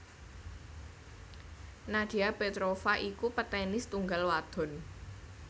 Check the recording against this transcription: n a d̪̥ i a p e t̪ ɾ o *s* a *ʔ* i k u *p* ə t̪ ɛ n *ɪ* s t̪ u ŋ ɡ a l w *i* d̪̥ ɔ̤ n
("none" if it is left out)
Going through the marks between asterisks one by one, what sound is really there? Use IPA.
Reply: f, ʔ, p, ɪ, a

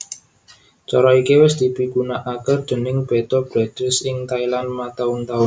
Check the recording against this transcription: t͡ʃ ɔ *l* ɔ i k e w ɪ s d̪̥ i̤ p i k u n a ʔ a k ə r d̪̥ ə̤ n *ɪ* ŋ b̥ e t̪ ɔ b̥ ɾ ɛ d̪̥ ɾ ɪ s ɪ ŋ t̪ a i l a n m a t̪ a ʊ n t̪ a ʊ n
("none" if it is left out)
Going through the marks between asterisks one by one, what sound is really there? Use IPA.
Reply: ɾ, ɪ

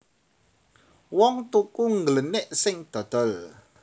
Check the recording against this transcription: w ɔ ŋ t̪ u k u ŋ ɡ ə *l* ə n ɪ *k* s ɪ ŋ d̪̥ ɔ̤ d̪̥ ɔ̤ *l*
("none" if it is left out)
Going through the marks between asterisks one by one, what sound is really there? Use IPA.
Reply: l, ʔ, l

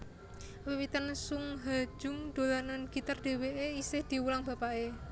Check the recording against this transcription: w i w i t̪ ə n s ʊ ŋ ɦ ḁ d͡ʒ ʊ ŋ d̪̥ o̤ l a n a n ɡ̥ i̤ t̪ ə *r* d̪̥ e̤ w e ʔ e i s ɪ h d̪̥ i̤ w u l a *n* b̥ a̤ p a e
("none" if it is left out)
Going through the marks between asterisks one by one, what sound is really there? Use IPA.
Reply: r, ŋ

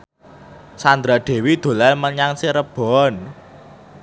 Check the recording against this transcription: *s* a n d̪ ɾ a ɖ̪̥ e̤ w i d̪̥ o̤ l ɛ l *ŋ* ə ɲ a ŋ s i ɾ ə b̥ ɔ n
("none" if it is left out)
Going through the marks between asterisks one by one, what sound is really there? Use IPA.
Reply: s, m

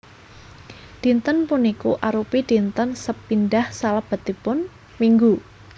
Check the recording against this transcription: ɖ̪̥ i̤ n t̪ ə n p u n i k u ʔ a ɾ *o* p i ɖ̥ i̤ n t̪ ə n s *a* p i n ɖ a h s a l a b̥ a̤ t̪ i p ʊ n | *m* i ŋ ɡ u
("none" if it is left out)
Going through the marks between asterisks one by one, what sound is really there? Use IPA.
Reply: u, ə, m

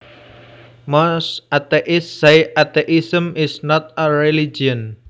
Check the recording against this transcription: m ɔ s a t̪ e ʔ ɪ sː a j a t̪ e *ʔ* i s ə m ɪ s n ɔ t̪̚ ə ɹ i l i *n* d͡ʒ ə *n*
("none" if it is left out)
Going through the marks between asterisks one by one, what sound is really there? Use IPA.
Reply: ʔ, none, n

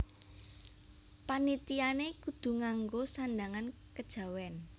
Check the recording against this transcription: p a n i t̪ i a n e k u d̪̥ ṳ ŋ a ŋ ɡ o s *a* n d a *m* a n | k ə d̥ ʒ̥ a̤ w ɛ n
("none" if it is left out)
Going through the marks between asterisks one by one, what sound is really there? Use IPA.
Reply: a, ŋ

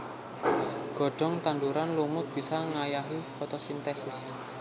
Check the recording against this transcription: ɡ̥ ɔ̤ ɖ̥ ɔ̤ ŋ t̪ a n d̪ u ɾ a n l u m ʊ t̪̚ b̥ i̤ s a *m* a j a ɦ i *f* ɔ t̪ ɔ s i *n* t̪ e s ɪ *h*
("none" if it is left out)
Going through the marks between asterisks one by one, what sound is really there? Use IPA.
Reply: ŋ, f, n, s

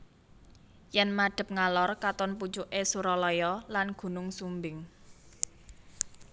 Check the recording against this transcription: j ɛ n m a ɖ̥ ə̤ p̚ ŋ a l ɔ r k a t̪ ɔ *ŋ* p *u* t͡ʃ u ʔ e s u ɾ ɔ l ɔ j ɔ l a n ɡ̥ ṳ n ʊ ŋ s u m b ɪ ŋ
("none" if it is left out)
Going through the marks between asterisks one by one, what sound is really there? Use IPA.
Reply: n, u

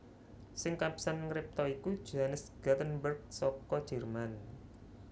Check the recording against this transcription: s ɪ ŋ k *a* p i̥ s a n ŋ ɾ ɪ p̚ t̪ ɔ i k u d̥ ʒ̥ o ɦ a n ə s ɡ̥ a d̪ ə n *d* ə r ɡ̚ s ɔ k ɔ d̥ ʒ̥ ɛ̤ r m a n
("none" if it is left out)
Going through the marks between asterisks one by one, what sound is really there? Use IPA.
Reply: a, b

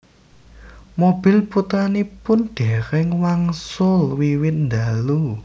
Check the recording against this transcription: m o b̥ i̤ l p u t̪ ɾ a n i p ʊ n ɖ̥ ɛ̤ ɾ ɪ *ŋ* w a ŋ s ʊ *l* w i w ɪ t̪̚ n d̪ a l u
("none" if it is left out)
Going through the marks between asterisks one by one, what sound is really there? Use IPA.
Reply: ŋ, l

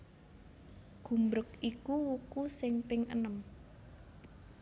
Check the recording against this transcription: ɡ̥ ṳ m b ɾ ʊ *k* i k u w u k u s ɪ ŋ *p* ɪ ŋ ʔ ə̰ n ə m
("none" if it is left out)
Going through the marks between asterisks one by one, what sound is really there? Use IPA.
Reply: k, p

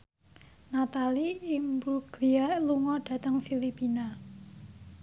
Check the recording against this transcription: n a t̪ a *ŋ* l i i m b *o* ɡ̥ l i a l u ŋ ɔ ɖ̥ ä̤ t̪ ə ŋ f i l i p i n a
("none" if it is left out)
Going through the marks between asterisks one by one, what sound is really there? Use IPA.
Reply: none, u

